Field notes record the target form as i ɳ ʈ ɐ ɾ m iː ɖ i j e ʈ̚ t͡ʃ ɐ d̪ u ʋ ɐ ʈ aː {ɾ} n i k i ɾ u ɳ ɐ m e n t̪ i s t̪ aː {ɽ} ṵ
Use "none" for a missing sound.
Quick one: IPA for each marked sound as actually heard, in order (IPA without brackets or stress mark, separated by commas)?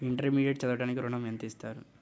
none, ɾ